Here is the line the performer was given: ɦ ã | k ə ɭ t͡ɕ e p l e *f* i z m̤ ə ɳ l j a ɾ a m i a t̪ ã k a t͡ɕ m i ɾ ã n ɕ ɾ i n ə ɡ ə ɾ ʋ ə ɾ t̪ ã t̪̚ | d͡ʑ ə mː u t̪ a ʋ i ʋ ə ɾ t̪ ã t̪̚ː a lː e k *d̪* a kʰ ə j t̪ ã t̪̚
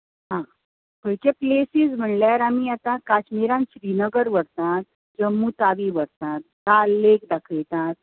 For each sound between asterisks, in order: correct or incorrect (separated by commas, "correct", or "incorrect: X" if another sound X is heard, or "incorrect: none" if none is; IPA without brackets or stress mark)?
incorrect: s, correct